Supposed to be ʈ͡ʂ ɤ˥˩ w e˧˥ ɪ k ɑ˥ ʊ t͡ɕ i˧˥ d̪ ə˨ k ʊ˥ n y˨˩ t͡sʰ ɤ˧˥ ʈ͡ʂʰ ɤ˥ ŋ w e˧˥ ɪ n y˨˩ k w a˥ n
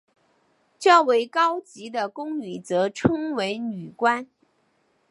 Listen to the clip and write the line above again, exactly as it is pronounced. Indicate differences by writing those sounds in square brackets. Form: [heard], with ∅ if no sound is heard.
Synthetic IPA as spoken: ʈ͡ʂ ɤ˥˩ w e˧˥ ɪ k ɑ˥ ʊ t͡ɕ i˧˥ d̪ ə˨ k ʊ˥ [ŋ] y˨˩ [t͡s] ɤ˧˥ ʈ͡ʂʰ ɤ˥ ŋ w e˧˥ ɪ n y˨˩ k w a˥ n